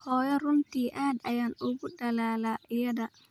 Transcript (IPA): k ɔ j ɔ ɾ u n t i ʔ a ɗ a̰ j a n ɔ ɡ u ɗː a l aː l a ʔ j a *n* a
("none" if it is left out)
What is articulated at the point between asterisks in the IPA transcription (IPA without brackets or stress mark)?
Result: d